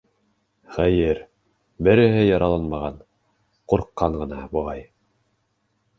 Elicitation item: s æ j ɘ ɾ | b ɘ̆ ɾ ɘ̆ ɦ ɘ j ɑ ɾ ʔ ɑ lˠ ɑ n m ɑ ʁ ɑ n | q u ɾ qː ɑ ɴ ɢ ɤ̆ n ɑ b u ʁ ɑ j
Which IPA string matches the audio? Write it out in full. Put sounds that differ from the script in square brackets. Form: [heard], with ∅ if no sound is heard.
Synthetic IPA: [χ] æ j ɘ ɾ | b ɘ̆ ɾ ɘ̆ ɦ ɘ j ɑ ɾ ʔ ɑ lˠ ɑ n m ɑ ʁ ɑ n | q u ɾ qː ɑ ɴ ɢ ɤ̆ n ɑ b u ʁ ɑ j

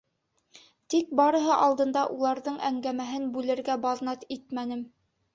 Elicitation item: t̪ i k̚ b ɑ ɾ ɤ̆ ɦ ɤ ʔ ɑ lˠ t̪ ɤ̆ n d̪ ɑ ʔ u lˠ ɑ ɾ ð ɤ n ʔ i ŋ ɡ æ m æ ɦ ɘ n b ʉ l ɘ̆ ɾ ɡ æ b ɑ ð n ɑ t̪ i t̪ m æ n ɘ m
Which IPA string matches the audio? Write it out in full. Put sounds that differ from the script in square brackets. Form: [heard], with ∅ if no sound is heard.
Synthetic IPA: t̪ i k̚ b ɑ ɾ ɤ̆ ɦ ɤ ʔ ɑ lˠ [d̪] ɤ̆ n d̪ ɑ ʔ u lˠ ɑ ɾ ð ɤ [ɴ] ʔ [æ] ŋ ɡ æ m æ ɦ ɘ n b ʉ l ɘ̆ ɾ ɡ æ b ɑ ð n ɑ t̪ i t̪ m æ n ɘ m

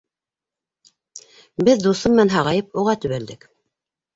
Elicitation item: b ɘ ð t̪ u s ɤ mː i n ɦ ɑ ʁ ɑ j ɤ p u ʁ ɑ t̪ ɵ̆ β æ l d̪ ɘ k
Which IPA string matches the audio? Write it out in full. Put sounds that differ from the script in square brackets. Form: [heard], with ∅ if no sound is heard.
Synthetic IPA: b ɘ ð [d̪] u s ɤ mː [æ] n ɦ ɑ ʁ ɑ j ɤ p u ʁ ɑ t̪ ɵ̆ β æ l d̪ ɘ k

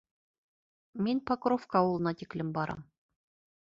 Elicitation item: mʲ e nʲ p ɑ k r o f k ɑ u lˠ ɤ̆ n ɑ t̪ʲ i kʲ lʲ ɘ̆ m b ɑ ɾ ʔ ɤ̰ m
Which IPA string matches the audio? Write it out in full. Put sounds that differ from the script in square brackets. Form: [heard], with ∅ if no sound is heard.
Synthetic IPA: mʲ e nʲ p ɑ k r o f k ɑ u lˠ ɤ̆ n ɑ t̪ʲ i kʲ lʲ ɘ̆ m b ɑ ɾ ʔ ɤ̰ m

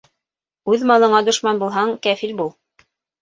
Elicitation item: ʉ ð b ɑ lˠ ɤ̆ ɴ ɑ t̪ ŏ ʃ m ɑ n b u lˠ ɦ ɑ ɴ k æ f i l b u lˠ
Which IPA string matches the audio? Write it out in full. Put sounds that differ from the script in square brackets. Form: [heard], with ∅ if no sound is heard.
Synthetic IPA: ʉ ð [m] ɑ lˠ ɤ̆ ɴ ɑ [d̪] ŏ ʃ m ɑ n b u lˠ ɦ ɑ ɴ k æ f i l b u lˠ

